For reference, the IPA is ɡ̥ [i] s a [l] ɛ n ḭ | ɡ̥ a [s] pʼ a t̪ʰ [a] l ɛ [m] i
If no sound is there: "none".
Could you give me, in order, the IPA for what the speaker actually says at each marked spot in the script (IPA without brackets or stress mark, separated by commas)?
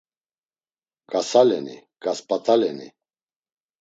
a, l, s, a, n